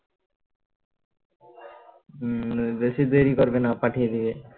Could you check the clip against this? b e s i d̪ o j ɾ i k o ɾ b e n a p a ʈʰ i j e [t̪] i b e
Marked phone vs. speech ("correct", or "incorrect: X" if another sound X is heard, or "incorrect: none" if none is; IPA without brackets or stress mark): incorrect: d̪